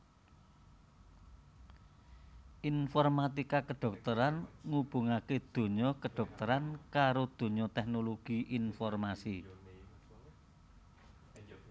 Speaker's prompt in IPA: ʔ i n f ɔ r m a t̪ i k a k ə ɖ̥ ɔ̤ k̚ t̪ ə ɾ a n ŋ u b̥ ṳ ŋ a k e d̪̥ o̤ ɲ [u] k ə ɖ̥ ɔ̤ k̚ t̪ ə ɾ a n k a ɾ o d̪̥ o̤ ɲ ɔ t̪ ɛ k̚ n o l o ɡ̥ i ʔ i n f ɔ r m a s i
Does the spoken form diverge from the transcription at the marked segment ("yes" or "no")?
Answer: yes